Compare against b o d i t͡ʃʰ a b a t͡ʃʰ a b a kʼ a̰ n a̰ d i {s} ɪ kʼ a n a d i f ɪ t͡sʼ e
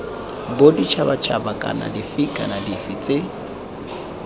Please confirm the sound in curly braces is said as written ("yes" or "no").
no